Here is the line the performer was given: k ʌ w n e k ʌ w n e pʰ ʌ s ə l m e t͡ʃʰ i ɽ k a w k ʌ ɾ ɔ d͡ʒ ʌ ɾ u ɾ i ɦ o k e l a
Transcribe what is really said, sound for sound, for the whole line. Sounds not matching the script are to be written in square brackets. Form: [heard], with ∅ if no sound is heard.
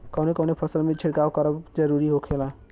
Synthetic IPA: k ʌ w n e k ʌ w n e pʰ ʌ s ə l m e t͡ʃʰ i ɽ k a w k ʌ ɾ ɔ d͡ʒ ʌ ɾ u ɾ i ɦ o [kʰ] e l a